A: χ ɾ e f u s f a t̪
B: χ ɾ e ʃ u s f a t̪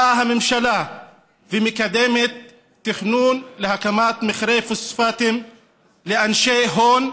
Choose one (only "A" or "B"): A